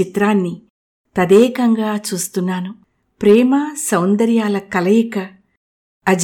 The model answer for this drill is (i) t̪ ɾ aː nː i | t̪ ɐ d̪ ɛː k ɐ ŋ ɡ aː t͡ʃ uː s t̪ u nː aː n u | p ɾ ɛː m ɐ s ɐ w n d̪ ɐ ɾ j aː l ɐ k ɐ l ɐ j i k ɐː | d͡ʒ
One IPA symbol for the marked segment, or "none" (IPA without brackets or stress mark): i